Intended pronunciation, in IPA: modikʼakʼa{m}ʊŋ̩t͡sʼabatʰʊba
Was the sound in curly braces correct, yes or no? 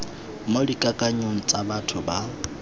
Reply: no